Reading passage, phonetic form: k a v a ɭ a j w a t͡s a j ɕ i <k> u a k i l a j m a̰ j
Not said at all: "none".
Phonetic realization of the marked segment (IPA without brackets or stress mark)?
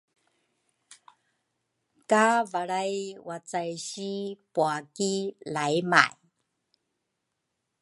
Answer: p